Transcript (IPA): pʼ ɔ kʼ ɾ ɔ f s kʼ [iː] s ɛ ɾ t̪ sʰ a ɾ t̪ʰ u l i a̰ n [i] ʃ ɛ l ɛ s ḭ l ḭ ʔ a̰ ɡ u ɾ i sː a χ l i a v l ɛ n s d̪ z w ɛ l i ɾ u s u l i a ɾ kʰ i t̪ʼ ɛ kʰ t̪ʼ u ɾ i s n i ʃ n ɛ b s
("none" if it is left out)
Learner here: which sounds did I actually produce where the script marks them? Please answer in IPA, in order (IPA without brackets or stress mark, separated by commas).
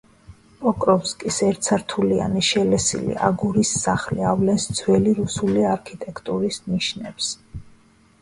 i, i